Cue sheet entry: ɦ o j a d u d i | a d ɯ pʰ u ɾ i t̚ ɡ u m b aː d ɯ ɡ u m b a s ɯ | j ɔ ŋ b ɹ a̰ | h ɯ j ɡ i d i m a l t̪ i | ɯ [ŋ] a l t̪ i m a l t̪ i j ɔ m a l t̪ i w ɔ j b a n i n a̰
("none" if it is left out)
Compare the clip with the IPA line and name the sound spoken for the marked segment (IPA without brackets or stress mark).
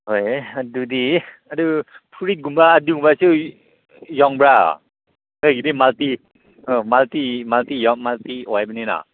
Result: m